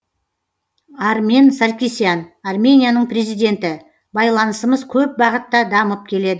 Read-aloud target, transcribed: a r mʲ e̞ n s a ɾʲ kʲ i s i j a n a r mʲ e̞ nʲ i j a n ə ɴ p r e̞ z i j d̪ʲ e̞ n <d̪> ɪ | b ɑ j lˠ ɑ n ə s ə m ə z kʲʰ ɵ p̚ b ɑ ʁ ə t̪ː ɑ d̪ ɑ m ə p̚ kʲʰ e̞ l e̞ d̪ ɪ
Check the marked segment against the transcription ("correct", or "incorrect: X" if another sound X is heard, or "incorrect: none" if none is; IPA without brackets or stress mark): incorrect: t̪